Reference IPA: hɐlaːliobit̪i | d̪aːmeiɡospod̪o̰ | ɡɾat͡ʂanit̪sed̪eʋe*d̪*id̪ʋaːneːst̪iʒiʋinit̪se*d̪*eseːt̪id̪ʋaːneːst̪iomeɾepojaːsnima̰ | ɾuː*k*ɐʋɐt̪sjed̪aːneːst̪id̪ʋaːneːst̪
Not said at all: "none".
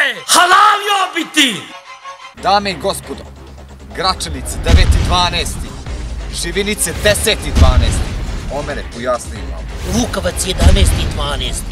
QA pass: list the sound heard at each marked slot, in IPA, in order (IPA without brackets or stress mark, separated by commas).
t̪, d̪, k